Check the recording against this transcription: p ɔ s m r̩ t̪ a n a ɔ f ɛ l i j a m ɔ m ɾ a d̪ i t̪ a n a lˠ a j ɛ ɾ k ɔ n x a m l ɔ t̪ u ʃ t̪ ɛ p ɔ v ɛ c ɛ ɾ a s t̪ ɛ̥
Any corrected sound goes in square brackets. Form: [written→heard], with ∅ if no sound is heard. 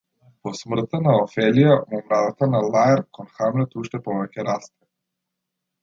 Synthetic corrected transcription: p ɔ s m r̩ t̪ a n a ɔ f ɛ l i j a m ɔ m ɾ a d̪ [i→a] t̪ a n a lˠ a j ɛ ɾ k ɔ n x a m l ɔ t̪ u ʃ t̪ ɛ p ɔ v ɛ c ɛ ɾ a s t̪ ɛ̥